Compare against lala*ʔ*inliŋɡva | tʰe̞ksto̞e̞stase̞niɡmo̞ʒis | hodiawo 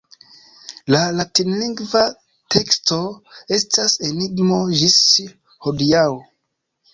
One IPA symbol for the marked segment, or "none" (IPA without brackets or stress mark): t